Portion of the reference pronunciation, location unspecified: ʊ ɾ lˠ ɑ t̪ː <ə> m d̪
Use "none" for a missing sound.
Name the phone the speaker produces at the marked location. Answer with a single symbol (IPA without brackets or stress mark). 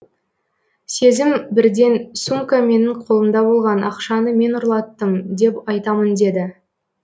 ə